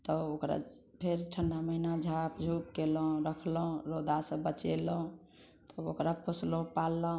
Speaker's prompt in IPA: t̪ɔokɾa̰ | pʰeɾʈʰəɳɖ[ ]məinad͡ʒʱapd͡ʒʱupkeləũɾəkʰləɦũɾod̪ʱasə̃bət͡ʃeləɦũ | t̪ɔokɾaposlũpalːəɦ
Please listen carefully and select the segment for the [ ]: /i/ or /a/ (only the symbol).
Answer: a